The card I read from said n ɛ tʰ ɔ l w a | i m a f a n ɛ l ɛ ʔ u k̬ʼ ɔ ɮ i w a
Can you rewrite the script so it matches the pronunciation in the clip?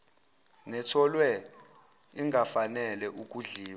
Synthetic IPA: n ɛ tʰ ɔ l w ɛ | i ŋ a f a n ɛ l ɛ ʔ u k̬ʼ u ɮ iː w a

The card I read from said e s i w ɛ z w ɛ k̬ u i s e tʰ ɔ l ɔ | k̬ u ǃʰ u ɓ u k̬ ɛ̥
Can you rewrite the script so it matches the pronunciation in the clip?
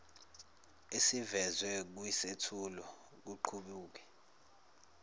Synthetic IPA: e s i v ɛ z w ɛ k̬ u i s e tʰ u l ɔ | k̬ u ǃʰ u ɓ uː k̬ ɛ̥

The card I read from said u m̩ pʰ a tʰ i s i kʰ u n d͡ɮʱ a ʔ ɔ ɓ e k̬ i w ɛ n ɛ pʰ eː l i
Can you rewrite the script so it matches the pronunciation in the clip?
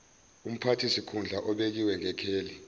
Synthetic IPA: u m̩ pʰ a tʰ i s i kʰ u n d͡ɮʱ a ʔ ɔ ɓ e k̬ i w ɛ ŋ ɛ kʰ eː l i

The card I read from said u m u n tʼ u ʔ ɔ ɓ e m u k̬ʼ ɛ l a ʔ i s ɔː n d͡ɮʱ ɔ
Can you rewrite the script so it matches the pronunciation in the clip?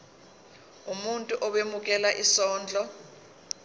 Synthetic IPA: u m u n tʼ u ʔ ɔ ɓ e m u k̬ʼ ɛ l a ʔ i s ɔː n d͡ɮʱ ɔ

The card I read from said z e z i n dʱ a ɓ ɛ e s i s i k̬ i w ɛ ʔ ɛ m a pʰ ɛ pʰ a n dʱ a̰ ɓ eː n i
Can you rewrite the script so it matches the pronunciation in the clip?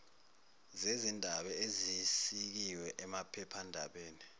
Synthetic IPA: z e z i n dʱ a ɓ ɛ e z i s i k̬ i w ɛ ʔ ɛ m a pʰ ɛ pʰ a n dʱ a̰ ɓ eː n i

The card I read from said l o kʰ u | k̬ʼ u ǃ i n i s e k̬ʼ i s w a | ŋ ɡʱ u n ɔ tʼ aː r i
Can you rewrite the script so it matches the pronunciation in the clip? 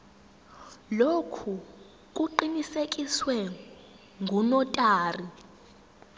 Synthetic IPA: l o kʰ u | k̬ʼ u ǃ i n i s e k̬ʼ i s w ɛ | ŋ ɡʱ u n ɔ tʼ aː r i

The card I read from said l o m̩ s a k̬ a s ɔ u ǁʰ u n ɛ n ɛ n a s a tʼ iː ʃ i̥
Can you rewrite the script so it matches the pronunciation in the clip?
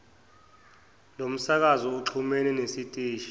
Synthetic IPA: l o m̩ s a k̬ a z ɔ u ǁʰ u m ɛ n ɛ n e s i tʼ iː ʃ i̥

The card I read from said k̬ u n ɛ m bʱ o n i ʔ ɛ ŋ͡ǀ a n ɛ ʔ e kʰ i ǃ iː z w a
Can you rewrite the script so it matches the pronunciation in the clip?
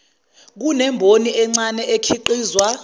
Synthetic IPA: k̬ u n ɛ m bʱ o n i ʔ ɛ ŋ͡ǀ a n ɛ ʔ e kʰ i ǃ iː z w a

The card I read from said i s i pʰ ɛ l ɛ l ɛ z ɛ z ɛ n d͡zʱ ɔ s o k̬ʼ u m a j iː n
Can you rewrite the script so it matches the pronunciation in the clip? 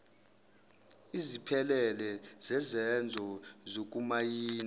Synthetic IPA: i z i pʰ ɛ l ɛ l ɛ z ɛ z ɛ n d͡zʱ ɔ z o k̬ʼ u m a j iː n

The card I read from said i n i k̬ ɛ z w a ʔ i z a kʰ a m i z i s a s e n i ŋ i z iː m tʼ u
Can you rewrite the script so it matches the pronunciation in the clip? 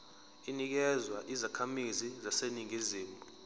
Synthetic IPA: i n i k̬ ɛ z w a ʔ i z a kʰ a m i z i z a s e n i ŋ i z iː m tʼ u

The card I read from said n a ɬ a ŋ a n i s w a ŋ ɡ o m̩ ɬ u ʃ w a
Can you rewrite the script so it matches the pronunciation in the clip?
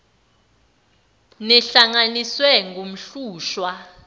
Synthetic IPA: n ɛ ɬ a ŋ a n i s w ɛ ŋ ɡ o m̩ ɬ uː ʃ w a

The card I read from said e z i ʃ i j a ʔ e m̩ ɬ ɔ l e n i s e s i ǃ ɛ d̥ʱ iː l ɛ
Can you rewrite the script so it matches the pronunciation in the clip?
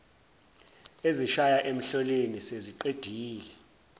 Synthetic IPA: e z i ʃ a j a ʔ e m̩ ɬ ɔ l e n i s e z i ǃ e d̥ʱ iː l ɛ

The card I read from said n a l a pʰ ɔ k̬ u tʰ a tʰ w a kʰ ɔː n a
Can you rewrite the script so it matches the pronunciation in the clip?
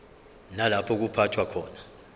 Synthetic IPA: n a l a pʰ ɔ k̬ u pʰ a tʰ w a kʰ ɔː n a

